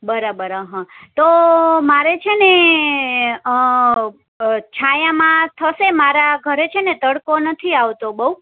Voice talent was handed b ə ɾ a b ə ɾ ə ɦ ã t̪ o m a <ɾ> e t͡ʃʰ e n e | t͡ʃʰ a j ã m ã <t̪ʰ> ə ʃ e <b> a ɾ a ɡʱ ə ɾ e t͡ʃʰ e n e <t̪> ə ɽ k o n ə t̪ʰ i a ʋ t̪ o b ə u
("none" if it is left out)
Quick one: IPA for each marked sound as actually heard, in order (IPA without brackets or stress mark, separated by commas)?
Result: ɾ, t̪ʰ, m, t̪